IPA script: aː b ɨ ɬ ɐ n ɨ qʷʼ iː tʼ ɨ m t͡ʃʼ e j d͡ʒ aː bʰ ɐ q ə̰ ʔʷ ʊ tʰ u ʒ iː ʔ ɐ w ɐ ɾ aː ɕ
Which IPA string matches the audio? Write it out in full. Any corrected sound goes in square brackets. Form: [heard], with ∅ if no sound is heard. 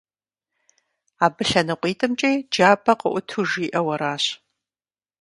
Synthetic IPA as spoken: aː b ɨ ɬ ɐ n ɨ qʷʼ iː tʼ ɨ m t͡ʃʼ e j d͡ʒ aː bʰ ɐ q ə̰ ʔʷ ʊ tʰ u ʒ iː ʔ ɐ w ɐ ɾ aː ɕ